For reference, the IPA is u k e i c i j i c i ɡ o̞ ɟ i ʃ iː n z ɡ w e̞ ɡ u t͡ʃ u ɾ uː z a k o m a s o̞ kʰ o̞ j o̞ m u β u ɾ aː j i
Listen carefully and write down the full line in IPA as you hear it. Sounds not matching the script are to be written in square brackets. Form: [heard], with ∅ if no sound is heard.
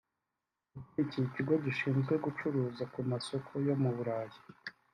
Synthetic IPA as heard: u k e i c i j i c i ɡ o̞ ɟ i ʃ iː n z ɡ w e̞ ɡ u t͡ʃ u ɾ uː z a k [u] m a s o̞ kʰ o̞ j o̞ m u β u ɾ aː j i